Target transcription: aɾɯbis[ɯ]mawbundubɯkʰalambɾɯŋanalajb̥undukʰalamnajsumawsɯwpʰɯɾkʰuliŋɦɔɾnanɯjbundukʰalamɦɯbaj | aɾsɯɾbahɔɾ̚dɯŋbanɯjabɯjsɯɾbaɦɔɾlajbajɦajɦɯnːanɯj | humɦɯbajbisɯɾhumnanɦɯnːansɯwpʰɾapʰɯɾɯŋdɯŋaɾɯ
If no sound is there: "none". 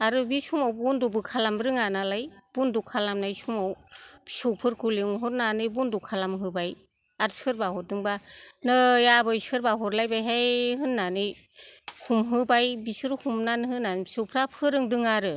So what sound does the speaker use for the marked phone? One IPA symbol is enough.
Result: u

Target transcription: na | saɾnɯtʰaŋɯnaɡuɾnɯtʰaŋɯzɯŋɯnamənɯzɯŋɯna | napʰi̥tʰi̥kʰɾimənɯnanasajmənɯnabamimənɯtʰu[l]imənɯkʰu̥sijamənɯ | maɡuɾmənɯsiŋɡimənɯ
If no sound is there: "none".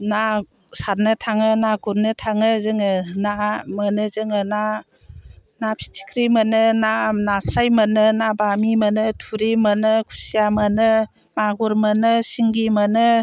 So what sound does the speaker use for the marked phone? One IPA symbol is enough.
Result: ɾ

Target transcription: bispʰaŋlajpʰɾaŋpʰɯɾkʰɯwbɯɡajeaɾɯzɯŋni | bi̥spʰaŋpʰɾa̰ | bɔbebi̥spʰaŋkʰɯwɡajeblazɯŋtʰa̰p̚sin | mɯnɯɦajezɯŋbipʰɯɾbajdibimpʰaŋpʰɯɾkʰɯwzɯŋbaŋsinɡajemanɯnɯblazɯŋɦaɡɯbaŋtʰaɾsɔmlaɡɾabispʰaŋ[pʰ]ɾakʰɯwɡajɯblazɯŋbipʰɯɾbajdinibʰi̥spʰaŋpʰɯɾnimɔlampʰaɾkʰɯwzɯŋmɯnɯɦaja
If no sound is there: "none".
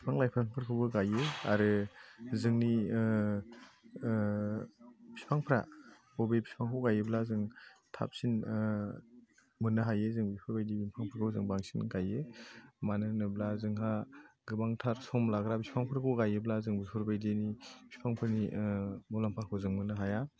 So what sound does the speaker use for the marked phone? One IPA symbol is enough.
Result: pʰ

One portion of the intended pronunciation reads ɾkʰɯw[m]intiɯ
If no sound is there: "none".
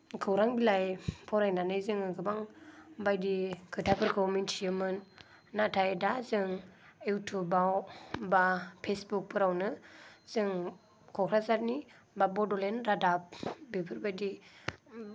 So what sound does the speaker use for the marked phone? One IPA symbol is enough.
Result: m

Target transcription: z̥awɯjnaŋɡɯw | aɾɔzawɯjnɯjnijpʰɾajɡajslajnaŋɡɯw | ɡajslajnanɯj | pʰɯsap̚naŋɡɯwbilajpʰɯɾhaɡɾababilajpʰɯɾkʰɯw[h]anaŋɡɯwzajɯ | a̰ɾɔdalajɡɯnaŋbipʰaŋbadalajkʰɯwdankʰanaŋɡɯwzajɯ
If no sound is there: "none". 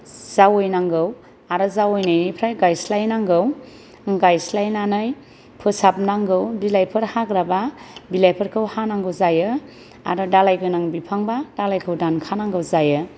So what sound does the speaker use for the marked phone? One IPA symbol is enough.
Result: h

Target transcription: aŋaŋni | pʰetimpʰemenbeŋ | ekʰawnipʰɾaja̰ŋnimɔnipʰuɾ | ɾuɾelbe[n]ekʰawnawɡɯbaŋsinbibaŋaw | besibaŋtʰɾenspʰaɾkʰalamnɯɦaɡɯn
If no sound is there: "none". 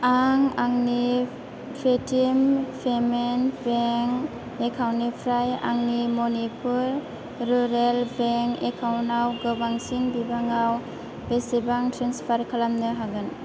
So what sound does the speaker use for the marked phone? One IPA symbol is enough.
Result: ŋ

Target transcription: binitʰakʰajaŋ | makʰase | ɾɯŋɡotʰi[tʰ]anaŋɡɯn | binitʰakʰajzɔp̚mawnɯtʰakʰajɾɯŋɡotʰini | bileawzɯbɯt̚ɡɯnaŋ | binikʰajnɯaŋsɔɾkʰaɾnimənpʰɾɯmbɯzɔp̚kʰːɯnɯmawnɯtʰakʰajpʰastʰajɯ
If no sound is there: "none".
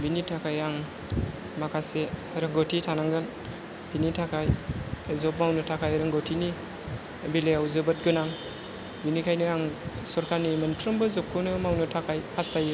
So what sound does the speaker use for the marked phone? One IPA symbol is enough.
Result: tʰ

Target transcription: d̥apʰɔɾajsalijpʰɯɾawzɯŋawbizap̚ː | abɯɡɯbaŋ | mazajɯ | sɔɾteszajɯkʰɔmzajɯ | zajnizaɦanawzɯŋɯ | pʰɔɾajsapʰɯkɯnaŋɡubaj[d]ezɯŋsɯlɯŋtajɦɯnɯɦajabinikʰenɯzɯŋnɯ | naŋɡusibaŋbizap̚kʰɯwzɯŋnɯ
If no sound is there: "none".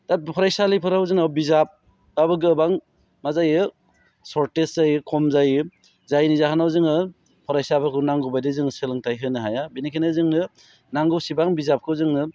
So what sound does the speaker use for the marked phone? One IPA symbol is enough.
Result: d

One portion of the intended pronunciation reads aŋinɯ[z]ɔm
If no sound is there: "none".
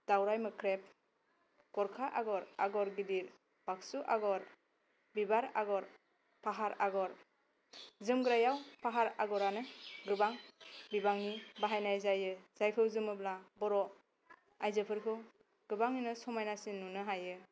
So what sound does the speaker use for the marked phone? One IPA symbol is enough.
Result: s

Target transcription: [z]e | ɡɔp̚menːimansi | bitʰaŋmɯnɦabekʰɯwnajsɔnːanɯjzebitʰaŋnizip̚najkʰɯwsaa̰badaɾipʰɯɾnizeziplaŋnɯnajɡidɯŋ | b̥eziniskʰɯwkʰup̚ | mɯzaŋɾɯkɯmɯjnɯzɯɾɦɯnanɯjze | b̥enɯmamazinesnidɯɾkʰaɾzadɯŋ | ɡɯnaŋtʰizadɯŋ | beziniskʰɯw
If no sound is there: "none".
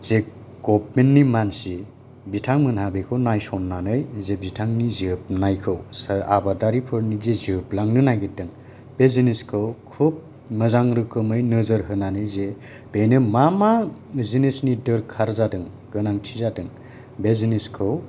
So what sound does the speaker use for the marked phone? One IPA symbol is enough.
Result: z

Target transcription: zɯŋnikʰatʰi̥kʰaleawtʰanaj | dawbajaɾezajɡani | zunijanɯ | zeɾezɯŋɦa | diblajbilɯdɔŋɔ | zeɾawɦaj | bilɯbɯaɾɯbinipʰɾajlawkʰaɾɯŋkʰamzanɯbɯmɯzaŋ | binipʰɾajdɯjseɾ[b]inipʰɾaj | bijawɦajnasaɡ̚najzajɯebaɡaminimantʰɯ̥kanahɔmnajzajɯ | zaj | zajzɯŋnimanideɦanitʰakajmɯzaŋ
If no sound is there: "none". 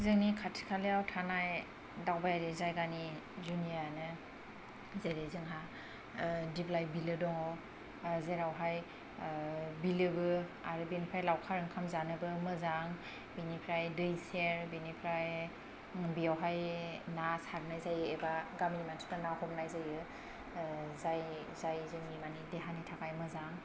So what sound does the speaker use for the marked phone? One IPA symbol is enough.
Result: b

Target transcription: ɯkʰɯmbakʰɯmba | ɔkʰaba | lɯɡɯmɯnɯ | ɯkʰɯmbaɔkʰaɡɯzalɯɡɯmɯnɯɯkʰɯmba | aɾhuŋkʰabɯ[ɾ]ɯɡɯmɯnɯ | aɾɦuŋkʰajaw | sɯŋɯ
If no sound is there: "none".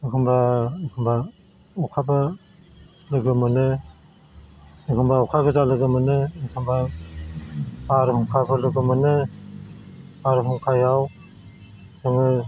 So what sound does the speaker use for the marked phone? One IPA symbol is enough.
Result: l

